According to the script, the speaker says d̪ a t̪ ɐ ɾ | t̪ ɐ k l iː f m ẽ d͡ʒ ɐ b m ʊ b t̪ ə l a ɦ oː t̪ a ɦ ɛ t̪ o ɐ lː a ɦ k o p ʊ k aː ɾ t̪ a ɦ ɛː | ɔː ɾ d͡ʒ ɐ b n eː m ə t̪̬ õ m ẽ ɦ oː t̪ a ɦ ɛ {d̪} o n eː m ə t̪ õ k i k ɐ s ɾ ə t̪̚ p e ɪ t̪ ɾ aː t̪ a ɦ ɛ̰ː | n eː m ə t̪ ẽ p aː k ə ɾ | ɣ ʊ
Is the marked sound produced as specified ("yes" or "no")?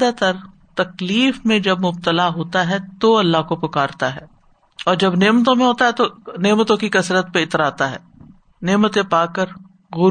no